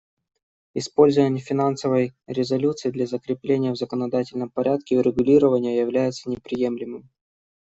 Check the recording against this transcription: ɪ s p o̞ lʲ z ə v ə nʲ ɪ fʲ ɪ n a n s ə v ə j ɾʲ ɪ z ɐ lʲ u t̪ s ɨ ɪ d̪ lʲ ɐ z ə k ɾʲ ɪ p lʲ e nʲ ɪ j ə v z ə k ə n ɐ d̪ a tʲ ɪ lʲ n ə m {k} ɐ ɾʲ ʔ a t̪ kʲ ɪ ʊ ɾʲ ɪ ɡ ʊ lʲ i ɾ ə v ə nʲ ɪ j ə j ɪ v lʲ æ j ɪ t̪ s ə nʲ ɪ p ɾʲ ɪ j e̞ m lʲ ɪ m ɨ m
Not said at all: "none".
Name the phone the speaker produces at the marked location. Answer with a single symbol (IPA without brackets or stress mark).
p